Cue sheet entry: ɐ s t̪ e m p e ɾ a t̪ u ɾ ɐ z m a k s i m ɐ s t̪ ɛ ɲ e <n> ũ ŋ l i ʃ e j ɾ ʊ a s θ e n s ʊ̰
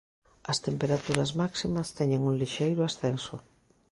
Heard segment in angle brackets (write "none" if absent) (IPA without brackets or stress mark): ŋ